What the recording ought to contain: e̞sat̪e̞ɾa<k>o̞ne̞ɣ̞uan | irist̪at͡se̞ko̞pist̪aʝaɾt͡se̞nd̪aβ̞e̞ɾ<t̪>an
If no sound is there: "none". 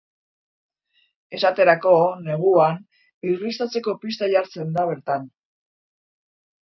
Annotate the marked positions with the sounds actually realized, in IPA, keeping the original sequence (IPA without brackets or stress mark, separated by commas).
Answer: k, t̪